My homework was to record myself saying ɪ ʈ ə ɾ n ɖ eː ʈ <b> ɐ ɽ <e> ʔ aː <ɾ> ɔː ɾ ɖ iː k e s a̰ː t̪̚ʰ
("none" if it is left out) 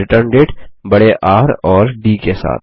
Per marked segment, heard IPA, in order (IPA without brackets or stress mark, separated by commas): b, e, ɾ